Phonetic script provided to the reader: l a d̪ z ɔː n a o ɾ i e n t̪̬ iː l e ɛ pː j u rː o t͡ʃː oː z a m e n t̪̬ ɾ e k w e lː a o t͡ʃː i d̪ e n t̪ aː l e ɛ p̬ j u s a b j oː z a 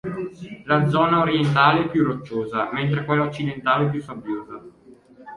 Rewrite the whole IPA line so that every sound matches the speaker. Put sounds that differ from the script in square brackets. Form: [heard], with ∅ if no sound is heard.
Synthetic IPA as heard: l a d̪ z ɔː n a o ɾ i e n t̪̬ [aː] l e ɛ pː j u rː o t͡ʃː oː z a m e n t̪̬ ɾ e k w e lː a o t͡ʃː i d̪ e n t̪ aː l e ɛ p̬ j u s a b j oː z a